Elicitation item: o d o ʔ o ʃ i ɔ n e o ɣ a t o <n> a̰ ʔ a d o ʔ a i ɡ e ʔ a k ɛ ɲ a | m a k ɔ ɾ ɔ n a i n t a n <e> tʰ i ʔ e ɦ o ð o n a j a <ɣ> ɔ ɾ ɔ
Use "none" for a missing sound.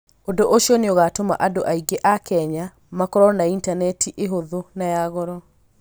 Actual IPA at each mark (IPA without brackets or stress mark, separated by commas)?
m, ɛ, ɣ